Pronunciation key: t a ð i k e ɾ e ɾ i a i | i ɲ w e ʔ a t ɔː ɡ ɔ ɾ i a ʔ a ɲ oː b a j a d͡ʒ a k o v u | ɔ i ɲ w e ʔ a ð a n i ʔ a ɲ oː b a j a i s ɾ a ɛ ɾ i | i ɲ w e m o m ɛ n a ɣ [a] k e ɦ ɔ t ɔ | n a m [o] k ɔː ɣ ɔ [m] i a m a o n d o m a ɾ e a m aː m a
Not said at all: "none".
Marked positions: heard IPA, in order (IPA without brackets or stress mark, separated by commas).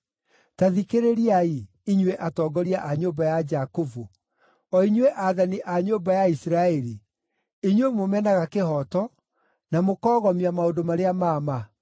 a, o, m